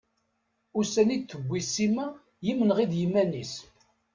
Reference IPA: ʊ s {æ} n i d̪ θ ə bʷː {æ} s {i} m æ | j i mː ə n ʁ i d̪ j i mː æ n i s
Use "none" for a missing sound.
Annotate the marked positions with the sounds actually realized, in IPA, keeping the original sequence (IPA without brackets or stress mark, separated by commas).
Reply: æ, i, i